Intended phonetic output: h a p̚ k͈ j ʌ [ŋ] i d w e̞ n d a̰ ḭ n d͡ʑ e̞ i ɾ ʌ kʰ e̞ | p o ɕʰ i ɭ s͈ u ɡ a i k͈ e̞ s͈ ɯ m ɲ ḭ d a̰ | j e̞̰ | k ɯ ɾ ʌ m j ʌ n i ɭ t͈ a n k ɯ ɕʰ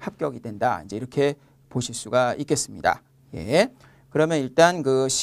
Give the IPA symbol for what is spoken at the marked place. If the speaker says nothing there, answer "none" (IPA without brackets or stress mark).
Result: ɡ